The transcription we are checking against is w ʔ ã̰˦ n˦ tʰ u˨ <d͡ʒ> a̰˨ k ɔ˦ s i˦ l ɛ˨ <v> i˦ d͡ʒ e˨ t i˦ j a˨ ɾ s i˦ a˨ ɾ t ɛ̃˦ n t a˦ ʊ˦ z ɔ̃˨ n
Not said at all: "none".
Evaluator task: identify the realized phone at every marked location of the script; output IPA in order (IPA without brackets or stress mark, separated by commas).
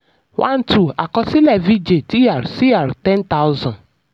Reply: none, v